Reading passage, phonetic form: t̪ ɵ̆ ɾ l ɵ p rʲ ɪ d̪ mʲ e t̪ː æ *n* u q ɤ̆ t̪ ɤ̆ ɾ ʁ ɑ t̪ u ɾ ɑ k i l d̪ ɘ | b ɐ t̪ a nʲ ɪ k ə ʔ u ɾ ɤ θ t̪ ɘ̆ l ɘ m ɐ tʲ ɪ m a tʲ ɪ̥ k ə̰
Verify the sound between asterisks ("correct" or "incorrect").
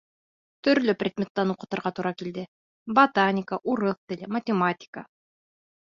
correct